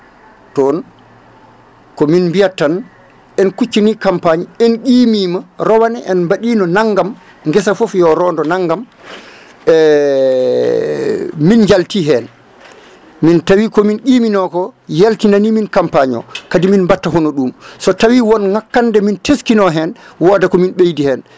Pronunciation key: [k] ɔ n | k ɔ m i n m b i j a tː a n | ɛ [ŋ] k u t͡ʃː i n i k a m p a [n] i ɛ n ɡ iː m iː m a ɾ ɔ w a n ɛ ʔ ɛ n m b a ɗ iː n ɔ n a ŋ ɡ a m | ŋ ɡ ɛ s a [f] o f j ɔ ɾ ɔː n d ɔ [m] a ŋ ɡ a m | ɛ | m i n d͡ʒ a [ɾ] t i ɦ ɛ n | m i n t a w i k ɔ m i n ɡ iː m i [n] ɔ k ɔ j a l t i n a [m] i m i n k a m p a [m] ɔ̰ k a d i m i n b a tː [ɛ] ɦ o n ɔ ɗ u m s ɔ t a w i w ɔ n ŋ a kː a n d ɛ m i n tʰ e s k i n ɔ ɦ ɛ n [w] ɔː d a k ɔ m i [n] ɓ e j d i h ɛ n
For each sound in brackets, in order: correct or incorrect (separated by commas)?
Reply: incorrect, incorrect, incorrect, correct, incorrect, incorrect, correct, incorrect, incorrect, incorrect, correct, correct